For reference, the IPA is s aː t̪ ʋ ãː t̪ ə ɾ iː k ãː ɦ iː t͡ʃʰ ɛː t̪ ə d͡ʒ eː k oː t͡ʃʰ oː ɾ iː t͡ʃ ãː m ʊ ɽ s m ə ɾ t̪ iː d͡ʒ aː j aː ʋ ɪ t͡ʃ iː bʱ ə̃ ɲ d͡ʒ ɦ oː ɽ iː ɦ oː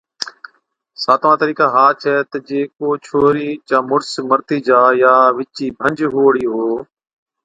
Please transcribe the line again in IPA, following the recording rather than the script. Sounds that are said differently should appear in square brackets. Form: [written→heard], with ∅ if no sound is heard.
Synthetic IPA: s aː t̪ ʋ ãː t̪ ə ɾ iː k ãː ɦ [iː→aː] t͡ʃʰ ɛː t̪ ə d͡ʒ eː k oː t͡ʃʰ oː ɾ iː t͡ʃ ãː m ʊ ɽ s m ə ɾ t̪ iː d͡ʒ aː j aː ʋ ɪ t͡ʃ iː bʱ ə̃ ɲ d͡ʒ ɦ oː ɽ iː ɦ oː